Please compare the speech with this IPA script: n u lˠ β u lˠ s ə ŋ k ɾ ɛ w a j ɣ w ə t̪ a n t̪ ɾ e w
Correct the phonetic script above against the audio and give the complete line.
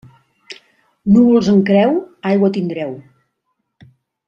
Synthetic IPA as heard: n u β u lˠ z ə ŋ k ɾ ɛ w a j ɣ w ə t̪ i n d̪ ɾ ɛ w